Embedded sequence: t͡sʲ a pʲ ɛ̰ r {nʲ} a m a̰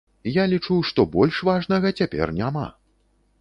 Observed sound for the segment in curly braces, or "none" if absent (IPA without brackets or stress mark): nʲ